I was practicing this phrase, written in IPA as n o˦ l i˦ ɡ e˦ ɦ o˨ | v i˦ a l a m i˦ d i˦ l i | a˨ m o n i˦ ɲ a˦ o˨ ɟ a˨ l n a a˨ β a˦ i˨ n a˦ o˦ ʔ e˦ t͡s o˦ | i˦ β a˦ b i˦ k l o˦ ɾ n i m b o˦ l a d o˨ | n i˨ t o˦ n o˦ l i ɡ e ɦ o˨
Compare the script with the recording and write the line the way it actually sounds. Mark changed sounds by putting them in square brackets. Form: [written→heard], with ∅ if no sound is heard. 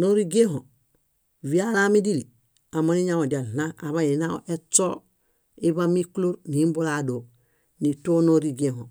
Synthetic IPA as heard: n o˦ [l→ɾ] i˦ ɡ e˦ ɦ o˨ | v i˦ a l a m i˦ d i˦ l i | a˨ m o n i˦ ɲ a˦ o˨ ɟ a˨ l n a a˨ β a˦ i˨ n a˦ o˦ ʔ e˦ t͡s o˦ | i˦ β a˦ [b→m] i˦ k l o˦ ɾ n i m b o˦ l a d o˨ | n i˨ t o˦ n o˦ [l→ɾ] i ɡ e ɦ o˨